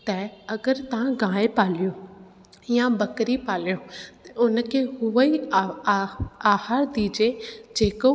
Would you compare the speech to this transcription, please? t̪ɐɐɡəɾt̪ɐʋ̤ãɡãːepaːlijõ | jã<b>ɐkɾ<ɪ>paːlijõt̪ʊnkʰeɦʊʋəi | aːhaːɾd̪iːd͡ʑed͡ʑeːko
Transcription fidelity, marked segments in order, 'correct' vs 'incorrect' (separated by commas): correct, incorrect